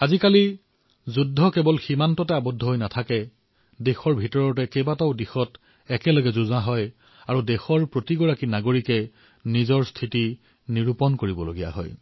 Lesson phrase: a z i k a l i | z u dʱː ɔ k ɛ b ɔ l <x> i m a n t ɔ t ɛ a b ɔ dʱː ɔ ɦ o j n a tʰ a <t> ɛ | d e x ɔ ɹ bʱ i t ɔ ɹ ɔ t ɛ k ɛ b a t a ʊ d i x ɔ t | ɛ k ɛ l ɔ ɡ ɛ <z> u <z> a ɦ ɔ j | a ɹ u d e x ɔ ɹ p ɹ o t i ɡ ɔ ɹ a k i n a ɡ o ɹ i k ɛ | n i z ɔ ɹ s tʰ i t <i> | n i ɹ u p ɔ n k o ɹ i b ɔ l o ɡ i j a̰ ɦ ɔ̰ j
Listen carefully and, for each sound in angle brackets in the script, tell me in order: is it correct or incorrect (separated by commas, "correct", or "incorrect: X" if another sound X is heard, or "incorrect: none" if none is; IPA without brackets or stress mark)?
correct, incorrect: k, correct, correct, correct